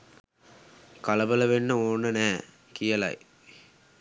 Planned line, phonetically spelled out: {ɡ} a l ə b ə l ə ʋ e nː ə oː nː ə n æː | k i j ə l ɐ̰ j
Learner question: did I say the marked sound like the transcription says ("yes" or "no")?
no